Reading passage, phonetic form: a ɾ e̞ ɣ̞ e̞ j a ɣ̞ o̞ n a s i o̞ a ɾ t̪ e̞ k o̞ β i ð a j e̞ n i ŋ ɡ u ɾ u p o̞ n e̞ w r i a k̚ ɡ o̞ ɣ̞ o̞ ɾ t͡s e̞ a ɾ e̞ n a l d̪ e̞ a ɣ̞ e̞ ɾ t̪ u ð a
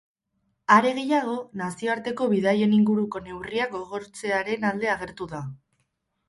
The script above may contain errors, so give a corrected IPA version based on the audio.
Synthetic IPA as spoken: a ɾ e̞ ɣ̞ e̞ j a ɣ̞ o̞ n a s i o̞ a ɾ t̪ e̞ k o̞ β i ð a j e̞ n i ŋ ɡ u ɾ u k o̞ n e̞ w r i a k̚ ɡ o̞ ɣ̞ o̞ ɾ t͡s e̞ a ɾ e̞ n a l d̪ e̞ a ɣ̞ e̞ ɾ t̪ u ð a